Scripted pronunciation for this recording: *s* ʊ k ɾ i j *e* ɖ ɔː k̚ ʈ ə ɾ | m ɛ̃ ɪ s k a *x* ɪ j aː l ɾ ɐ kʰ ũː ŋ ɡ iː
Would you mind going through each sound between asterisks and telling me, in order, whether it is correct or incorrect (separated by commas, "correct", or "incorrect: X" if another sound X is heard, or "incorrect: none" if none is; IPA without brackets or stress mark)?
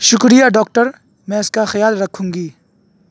incorrect: ʃ, incorrect: a, correct